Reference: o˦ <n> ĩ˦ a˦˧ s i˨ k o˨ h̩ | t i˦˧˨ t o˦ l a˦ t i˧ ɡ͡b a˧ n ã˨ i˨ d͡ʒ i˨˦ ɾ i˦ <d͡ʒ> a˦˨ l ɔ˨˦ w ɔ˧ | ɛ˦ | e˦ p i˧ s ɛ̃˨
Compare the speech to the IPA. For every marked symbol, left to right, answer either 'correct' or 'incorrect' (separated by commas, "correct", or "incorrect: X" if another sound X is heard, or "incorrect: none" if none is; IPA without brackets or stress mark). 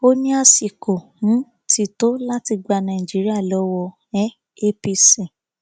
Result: correct, incorrect: none